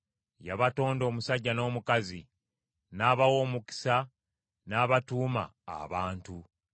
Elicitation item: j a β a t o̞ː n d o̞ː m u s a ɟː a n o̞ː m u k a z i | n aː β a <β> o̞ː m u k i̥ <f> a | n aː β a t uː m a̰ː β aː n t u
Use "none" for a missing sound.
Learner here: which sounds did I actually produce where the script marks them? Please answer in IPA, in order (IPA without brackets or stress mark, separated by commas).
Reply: w, s